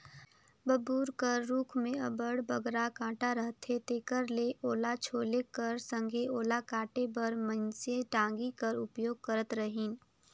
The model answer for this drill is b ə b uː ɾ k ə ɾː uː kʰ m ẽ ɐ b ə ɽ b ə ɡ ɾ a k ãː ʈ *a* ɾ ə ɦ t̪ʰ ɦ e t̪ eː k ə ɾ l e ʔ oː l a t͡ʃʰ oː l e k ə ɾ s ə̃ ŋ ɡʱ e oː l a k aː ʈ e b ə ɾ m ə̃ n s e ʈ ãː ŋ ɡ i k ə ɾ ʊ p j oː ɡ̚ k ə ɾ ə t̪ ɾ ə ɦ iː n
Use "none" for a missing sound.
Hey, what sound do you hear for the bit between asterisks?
a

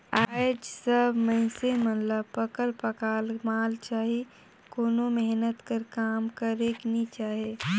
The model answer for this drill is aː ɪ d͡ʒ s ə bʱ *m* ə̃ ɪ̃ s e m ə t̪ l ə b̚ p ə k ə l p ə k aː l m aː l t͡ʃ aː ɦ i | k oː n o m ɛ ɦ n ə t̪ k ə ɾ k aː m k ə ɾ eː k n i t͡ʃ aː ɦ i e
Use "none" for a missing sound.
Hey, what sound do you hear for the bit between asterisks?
m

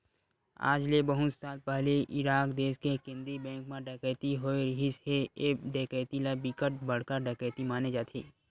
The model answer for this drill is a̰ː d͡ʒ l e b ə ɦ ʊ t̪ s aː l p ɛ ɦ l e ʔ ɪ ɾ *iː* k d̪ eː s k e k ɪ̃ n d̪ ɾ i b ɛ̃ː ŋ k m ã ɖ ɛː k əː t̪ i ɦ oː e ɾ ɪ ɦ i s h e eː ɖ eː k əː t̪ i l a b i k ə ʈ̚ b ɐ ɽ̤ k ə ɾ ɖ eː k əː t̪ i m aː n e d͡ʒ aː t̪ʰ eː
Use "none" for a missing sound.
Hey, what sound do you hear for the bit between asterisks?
aː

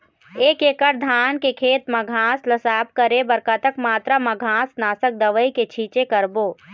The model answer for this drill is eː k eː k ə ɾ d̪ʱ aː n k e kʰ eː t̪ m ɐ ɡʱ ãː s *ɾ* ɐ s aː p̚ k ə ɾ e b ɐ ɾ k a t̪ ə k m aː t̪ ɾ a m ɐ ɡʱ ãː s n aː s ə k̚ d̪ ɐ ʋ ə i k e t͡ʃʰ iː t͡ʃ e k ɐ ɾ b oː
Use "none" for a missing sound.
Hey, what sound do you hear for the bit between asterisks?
l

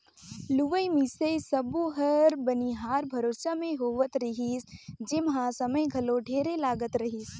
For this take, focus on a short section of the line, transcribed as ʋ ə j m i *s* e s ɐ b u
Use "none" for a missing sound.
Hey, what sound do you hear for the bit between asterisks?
s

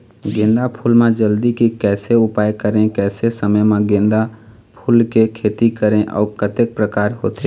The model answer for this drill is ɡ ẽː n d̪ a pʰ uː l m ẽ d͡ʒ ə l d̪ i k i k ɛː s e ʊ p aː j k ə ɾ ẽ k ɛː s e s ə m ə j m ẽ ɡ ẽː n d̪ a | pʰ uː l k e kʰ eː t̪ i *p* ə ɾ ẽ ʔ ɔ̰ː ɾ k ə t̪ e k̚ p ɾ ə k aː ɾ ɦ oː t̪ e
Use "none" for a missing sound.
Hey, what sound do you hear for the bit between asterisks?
k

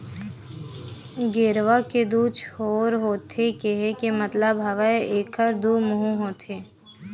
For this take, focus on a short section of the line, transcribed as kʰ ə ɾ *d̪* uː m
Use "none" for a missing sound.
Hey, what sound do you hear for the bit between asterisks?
d̪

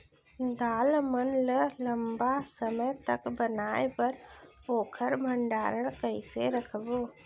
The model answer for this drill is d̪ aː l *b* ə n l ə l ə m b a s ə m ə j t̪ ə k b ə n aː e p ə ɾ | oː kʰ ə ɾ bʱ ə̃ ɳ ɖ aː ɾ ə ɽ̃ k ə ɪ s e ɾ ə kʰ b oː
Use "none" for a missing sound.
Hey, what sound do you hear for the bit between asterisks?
m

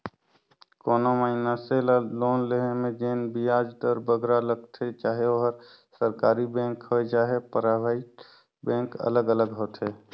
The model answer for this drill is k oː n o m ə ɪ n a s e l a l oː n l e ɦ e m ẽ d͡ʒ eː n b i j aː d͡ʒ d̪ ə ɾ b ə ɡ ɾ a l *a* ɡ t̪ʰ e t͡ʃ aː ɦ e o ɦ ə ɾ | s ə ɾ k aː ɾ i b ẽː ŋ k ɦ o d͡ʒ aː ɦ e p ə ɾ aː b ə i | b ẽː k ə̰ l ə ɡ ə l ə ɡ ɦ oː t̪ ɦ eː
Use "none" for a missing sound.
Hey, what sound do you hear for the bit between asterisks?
ə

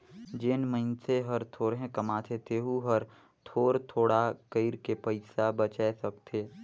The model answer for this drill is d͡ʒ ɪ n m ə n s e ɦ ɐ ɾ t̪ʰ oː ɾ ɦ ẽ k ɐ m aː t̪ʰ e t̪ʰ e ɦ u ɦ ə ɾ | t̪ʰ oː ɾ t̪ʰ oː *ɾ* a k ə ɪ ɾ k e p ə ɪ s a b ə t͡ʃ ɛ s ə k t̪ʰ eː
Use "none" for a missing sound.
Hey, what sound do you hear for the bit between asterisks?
ɽ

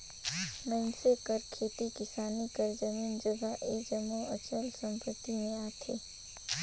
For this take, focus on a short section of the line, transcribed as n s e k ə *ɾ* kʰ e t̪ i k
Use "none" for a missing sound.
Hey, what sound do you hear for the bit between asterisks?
ɾ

